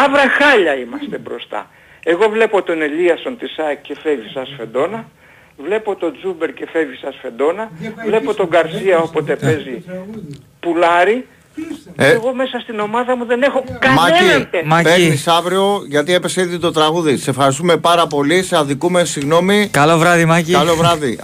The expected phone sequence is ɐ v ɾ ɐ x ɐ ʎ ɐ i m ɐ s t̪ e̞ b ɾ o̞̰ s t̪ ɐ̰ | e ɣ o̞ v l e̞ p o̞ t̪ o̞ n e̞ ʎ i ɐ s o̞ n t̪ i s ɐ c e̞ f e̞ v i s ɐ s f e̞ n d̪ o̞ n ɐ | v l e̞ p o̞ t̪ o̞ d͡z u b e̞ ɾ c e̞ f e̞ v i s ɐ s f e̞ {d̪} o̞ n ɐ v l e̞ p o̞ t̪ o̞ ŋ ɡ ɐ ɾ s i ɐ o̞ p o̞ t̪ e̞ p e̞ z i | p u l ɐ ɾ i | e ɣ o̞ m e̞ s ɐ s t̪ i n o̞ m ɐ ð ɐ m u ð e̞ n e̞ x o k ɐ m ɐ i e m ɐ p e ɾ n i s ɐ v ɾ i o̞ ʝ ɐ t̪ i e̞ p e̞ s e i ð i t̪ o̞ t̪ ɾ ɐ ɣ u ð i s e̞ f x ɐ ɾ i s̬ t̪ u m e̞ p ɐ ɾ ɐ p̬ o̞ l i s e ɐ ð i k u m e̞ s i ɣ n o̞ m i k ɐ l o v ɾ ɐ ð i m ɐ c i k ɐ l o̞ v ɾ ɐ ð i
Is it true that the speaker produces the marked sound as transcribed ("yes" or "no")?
yes